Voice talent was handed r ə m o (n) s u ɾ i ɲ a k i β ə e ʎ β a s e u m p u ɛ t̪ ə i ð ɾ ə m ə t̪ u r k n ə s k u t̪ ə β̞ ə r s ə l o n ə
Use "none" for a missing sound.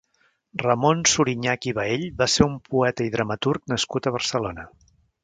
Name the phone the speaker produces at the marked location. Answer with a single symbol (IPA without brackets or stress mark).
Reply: n